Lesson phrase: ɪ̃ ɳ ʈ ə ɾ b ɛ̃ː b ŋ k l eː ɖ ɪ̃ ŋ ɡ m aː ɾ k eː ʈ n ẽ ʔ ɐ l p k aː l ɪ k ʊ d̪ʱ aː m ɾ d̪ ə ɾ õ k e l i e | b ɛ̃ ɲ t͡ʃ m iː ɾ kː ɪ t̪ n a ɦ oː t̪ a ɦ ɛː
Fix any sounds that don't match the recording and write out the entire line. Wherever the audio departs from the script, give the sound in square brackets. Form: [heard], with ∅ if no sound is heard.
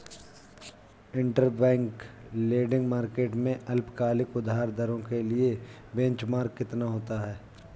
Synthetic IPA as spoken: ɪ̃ ɳ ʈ ə ɾ b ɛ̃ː [∅] ŋ k l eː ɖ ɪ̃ ŋ ɡ m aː ɾ k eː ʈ [m] ẽ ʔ ɐ l p k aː l ɪ k ʊ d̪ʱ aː [∅] ɾ d̪ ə ɾ õ k e l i e | b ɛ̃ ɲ t͡ʃ m [aː] ɾ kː ɪ t̪ n a ɦ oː t̪ a ɦ ɛː